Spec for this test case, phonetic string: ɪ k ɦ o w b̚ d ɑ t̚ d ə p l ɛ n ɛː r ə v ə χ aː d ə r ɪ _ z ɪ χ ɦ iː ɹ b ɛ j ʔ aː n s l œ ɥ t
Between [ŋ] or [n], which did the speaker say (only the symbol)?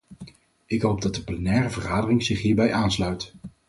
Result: ŋ